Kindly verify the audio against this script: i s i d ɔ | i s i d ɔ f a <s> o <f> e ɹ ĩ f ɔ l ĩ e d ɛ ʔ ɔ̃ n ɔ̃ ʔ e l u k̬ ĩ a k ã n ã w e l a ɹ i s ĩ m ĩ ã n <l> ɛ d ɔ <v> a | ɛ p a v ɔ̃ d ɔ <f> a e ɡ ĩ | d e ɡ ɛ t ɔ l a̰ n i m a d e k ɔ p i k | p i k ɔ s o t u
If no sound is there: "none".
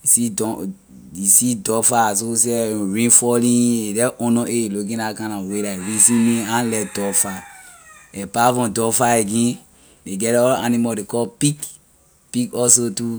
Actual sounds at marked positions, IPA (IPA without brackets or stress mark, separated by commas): s, s, l, f, f